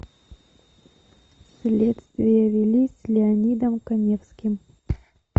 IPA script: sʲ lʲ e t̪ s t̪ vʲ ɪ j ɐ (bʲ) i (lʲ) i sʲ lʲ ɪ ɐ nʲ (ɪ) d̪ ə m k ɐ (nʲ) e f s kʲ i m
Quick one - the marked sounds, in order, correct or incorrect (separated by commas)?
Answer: incorrect, correct, incorrect, correct